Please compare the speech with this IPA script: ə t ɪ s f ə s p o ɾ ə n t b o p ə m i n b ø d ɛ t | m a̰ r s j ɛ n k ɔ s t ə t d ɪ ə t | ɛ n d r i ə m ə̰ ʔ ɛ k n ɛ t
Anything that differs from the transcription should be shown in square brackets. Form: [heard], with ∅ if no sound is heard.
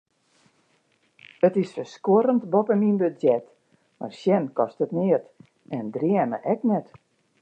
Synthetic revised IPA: ə t ɪ s f ə s [k] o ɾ ə n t b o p ə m i n b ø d ɛ t | m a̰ r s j ɛ n k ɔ s t ə t [n] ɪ ə t | ɛ n d r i ə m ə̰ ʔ ɛ k n ɛ t